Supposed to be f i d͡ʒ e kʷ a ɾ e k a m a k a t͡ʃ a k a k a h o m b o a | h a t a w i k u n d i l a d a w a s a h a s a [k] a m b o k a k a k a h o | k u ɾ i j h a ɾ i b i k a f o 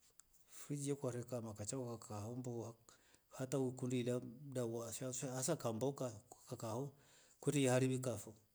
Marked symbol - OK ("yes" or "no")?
yes